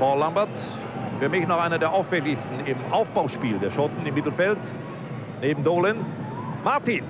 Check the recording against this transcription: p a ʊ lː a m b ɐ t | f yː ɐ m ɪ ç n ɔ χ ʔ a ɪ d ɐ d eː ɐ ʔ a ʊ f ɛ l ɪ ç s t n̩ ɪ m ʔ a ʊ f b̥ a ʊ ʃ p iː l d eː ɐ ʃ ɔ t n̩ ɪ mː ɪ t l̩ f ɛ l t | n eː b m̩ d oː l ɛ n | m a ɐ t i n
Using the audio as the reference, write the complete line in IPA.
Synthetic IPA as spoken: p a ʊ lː a m b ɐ t | f yː ɐ m ɪ ç n ɔ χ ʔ a ɪ n ɐ d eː ɐ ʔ a ʊ f ɛ l ɪ ç s t n̩ ɪ m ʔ a ʊ f b̥ a ʊ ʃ p iː l d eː ɐ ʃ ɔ t n̩ ɪ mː ɪ t l̩ f ɛ l t | n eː b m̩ d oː l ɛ n | m a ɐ t i n

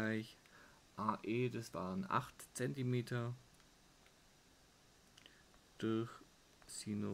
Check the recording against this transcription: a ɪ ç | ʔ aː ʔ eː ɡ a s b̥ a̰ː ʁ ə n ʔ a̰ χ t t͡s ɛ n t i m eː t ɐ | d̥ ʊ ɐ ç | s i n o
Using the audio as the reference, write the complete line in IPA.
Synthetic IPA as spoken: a ɪ ç | ʔ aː ʔ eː d a s v̥ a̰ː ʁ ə n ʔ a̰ χ t t͡s ɛ n t i m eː t ɐ | d̥ ʊ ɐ ç | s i n o

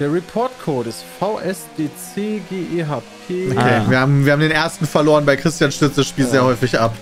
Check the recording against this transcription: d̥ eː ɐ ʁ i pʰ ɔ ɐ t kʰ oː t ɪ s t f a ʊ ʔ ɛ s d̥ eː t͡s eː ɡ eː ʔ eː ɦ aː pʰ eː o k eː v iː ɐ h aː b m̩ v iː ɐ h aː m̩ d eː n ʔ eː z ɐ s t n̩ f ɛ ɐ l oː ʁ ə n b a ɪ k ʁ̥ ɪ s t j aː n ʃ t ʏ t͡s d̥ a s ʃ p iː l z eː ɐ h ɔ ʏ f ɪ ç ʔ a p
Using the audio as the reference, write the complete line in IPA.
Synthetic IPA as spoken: d̥ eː ɐ ʁ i pʰ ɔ ɐ t kʰ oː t ɪ s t f a ʊ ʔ ɛ s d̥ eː t͡s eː ɡ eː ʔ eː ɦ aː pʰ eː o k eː v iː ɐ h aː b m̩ v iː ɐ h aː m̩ d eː n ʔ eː ɐ s t n̩ f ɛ ɐ l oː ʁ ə n b a ɪ k ʁ̥ ɪ s t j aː n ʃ t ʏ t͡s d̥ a s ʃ p iː l z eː ɐ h ɔ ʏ f ɪ ç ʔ a p

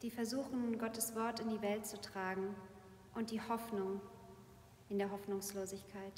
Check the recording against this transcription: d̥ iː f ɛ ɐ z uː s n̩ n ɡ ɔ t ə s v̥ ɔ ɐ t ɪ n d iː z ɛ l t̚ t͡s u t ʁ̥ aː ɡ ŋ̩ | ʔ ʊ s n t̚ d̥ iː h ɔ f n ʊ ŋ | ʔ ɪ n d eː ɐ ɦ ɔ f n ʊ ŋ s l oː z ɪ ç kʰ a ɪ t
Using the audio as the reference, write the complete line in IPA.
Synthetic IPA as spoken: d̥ iː f ɛ ɐ z uː x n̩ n ɡ ɔ t ə s v̥ ɔ ɐ t ɪ n d iː v ɛ l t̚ t͡s u t ʁ̥ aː ɡ ŋ̩ | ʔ ʊ n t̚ d̥ iː h ɔ f n ʊ ŋ | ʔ ɪ n d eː ɐ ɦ ɔ f n ʊ ŋ s l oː z ɪ ç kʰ a ɪ t

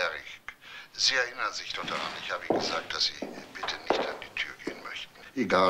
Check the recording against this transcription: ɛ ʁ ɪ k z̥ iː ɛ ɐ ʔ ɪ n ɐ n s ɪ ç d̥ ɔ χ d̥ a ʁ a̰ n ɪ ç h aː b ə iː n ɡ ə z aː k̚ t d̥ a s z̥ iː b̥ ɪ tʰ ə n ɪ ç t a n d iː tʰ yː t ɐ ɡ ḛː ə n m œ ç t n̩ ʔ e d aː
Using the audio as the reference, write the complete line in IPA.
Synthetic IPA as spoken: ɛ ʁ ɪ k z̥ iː ɛ ɐ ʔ ɪ n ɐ n z ɪ ç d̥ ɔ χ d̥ a ʁ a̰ n ɪ ç h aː b ə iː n ɡ ə z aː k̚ t d̥ a s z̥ iː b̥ ɪ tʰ ə n ɪ ç t a n d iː tʰ yː ɐ ɡ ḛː ə n m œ ç t n̩ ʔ e ɡ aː

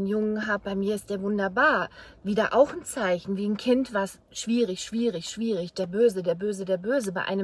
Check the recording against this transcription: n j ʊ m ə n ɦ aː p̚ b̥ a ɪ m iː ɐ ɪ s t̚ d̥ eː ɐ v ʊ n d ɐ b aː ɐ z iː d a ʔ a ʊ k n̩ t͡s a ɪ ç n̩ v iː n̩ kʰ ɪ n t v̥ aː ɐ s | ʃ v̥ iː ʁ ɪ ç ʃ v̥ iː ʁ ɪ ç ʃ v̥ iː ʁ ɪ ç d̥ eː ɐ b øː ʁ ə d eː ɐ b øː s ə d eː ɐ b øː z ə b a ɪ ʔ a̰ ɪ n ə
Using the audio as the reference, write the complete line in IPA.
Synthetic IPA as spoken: n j ʊ ŋ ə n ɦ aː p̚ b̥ a ɪ m iː ɐ ɪ s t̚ d̥ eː ɐ v ʊ n d ɐ b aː ɐ v iː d a ʔ a ʊ x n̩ t͡s a ɪ ç n̩ v iː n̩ kʰ ɪ n t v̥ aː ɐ s | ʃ v̥ iː ʁ ɪ ç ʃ v̥ iː ʁ ɪ ç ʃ v̥ iː ʁ ɪ ç d̥ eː ɐ b øː z ə d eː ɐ b øː z ə d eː ɐ b øː z ə b a ɪ ʔ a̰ ɪ n ə

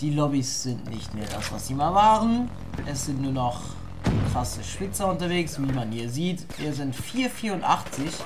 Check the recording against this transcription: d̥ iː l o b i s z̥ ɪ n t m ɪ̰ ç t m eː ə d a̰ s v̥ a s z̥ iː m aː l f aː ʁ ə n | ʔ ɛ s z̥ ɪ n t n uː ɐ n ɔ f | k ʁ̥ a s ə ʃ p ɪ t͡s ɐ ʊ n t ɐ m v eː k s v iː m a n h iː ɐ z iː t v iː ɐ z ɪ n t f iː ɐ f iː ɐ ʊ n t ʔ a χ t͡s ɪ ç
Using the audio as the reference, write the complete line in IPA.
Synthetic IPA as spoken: d̥ iː l ɔ b i s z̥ ɪ n t n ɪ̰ ç t m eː ɐ d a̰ s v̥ a s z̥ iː m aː l v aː ʁ ə n | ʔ ɛ s z̥ ɪ n t n uː ɐ n ɔ χ | k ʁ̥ a s ə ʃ p ɪ t͡s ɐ ʊ n t ɐ v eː k s v iː m a n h iː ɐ z iː t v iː ɐ z ɪ n t f iː ɐ f iː ɐ ʊ n t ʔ a χ t͡s ɪ ç

